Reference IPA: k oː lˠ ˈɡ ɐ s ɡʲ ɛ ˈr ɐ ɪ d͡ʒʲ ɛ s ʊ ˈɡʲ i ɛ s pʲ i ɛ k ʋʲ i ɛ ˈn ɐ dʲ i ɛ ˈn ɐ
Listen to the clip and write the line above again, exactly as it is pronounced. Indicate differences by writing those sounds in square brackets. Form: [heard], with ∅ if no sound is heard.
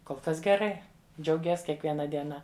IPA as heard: k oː lˠ [ˈk] ɐ s ɡʲ ɛ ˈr ɐ ɪ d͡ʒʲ ɛ [∅] ʊ ˈɡʲ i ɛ s [kʲ] i ɛ k ʋʲ i ɛ ˈn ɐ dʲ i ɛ ˈn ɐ